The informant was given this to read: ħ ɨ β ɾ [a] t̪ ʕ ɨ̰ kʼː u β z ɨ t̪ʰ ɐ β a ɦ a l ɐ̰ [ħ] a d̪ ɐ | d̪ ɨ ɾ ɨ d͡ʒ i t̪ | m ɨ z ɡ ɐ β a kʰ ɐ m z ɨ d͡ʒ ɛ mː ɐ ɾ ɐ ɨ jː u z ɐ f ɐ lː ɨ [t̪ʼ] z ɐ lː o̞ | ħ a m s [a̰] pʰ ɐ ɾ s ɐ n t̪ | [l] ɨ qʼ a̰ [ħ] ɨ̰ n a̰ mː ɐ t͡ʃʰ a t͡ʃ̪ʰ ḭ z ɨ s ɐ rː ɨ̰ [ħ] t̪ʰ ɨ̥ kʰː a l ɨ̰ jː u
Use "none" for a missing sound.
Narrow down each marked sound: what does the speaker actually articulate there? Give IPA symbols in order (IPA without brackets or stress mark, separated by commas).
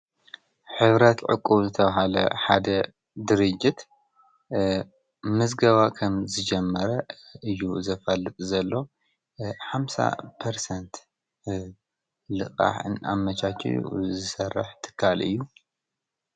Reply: ɐ, ħ, t̪ʼ, a̰, l, ħ, ħ